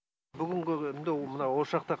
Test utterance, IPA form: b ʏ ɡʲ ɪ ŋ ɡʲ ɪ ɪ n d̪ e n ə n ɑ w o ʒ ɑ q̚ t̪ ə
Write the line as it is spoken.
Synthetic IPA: b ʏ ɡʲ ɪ ŋ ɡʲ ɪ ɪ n d̪ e m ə n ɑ w o ʃ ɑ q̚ t̪ ɑ